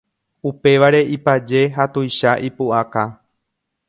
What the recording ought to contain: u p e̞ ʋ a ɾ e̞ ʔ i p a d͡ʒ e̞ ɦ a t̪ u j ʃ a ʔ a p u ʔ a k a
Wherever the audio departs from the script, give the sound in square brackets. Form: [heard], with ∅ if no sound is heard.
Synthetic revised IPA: u p e̞ ʋ a ɾ e̞ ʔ i p a d͡ʒ e̞ ɦ a t̪ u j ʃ a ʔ [i] p u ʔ a k a